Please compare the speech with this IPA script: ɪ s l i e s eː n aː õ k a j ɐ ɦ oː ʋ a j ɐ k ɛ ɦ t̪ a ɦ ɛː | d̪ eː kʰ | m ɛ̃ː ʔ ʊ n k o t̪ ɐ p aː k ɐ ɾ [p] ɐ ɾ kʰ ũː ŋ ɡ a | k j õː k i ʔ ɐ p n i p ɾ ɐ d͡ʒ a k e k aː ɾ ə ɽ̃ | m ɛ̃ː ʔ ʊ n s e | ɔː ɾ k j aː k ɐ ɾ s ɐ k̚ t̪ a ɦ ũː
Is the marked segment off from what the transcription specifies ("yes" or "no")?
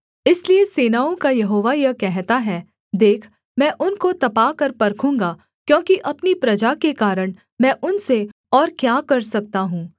no